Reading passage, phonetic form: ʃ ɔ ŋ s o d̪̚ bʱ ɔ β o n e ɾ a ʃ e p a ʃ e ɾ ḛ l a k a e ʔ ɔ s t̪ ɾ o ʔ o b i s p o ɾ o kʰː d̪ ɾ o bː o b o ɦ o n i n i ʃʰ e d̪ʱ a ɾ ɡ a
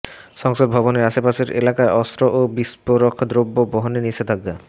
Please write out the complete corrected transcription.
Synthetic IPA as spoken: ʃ ɔ ŋ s o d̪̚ bʱ ɔ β o n e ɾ a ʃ e p a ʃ e ɾ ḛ l a k a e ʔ ɔ s t̪ ɾ o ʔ o b i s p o ɾ o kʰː d̪ ɾ o bː o b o ɦ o n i n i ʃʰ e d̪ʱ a ɡ a